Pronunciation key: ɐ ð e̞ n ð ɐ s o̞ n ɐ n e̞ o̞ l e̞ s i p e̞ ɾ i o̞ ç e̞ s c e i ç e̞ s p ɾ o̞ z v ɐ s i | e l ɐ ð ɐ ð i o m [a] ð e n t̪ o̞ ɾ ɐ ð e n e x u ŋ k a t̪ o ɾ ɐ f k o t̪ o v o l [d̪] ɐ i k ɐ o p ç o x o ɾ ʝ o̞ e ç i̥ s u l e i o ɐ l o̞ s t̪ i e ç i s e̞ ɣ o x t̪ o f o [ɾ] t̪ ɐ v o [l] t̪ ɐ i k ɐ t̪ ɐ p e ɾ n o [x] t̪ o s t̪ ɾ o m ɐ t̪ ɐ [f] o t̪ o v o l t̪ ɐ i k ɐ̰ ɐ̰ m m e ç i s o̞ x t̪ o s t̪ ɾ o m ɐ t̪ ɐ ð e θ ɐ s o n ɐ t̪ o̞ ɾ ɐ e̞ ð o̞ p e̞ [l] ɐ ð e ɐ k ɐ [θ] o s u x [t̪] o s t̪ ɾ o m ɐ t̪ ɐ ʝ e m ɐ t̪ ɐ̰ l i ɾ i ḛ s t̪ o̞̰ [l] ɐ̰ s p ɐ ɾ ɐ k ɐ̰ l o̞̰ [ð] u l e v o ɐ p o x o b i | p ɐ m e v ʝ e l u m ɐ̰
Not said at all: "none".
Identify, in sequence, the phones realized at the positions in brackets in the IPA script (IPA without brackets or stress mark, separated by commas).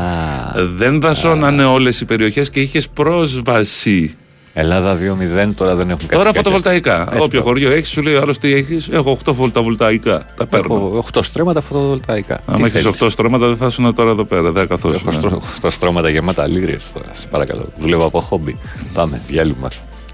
i, t̪, l, l, x, f, ɾ, θ, t̪, ɾ, ð